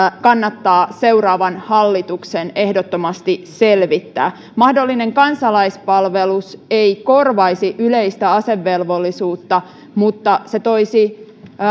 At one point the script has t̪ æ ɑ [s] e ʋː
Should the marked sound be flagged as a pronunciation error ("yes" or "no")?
no